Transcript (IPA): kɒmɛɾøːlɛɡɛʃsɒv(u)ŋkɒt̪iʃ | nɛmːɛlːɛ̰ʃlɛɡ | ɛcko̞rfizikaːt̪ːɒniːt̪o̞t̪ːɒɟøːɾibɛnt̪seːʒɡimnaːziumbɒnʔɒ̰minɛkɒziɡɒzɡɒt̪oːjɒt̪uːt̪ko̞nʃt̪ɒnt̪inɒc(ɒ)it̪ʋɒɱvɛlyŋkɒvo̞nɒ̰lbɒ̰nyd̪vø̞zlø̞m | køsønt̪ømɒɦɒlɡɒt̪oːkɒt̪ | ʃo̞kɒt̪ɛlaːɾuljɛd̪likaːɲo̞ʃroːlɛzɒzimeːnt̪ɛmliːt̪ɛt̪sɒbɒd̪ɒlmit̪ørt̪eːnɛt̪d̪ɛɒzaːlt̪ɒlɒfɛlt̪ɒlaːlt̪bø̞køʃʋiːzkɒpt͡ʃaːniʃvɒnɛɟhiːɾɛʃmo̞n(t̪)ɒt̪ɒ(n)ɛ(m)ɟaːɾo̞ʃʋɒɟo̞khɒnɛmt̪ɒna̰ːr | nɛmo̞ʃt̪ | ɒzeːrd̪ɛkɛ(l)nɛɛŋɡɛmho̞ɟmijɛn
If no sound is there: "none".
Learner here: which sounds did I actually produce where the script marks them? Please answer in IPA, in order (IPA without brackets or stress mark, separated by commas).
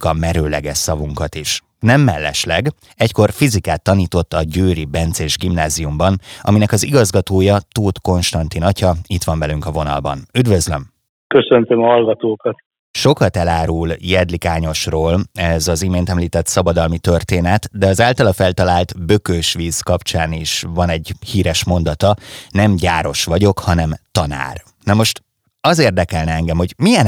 u, ɒ, d̪, n, m, l